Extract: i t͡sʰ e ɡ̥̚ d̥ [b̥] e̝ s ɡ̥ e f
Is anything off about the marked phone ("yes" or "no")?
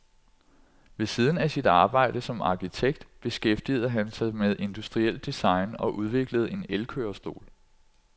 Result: no